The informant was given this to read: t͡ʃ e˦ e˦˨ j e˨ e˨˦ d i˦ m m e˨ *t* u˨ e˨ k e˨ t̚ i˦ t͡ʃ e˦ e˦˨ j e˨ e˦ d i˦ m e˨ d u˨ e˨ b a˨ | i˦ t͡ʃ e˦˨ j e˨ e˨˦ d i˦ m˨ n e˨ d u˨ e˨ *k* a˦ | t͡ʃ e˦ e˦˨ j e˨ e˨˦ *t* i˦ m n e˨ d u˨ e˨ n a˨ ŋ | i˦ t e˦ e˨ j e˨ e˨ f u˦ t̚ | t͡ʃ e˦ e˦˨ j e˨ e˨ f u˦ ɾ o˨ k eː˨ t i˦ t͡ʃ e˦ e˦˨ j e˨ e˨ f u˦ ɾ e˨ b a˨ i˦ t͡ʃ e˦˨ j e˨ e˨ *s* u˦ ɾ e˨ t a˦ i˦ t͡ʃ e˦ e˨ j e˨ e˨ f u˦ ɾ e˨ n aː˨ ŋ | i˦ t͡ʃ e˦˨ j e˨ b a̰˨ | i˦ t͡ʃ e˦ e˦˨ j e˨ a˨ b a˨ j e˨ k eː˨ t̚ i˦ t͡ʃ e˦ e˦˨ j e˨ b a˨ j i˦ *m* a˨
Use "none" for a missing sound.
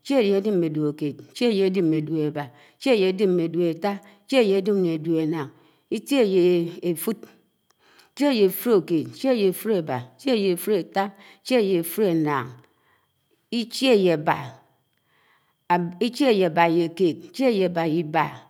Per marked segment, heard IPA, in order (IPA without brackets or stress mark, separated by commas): d, t, d, f, b